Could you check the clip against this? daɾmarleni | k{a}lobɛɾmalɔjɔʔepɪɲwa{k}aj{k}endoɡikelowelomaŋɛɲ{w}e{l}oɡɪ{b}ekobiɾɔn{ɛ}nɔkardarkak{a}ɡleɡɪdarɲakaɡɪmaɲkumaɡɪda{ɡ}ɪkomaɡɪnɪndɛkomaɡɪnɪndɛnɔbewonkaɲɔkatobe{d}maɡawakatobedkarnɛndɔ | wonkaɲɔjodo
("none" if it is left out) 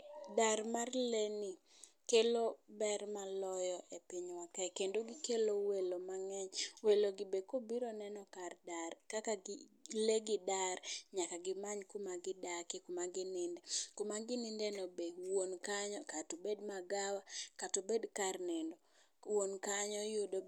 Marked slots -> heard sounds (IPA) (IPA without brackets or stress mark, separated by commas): e, k, k, w, l, b, ɛ, a, k, d